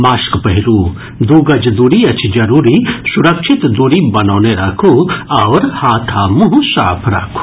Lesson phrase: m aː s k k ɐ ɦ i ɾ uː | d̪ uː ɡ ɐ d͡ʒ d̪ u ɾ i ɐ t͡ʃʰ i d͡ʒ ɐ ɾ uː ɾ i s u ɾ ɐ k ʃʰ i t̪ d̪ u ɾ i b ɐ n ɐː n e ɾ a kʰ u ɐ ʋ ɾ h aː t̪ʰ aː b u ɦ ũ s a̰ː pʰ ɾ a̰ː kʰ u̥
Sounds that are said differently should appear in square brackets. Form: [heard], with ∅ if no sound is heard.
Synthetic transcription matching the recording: m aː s k [p] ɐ ɦ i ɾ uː | d̪ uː ɡ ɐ d͡ʒ d̪ u ɾ i ɐ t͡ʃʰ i d͡ʒ ɐ ɾ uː ɾ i s u ɾ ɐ k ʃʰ i t̪ d̪ u ɾ i b ɐ n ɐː n e ɾ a kʰ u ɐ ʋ ɾ h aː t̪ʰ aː [m] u ɦ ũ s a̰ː pʰ ɾ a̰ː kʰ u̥

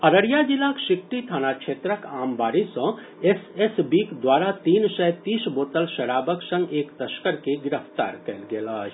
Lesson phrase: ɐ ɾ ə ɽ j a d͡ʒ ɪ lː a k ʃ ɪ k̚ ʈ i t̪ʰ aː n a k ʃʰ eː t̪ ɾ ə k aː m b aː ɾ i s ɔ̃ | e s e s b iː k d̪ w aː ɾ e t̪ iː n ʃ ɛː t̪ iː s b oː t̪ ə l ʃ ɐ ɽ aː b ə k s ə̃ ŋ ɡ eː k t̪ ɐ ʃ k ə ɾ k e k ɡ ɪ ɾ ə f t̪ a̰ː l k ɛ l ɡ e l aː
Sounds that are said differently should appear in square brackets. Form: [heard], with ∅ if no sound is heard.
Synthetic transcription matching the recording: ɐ ɾ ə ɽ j a d͡ʒ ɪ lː a k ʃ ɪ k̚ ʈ i t̪ʰ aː n a k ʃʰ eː t̪ ɾ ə k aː m b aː ɾ i s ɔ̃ | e s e s b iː k d̪ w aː ɾ [a] t̪ iː n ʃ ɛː t̪ iː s b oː t̪ ə l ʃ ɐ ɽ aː b ə k s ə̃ ŋ ɡ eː k t̪ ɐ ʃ k ə ɾ k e [∅] ɡ ɪ ɾ ə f t̪ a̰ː [ɾ] k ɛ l ɡ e l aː

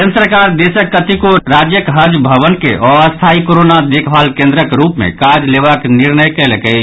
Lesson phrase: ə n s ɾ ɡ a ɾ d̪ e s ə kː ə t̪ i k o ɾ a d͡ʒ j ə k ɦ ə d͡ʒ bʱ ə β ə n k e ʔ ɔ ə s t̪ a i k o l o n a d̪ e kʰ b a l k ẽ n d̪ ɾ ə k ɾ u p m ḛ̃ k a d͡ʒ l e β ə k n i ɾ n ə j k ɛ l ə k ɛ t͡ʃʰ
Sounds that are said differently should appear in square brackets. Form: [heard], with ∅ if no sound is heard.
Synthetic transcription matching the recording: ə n s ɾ [k] a ɾ d̪ e s ə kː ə t̪ i k o ɾ a d͡ʒ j ə k ɦ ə d͡ʒ bʱ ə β ə n k e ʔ ɔ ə s [t̪ʰ] a i k o [ɾ] o n a d̪ e kʰ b a l k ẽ n d̪ ɾ ə k ɾ u p m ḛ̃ k a d͡ʒ l e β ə k n i ɾ n ə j k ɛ l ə k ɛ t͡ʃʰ

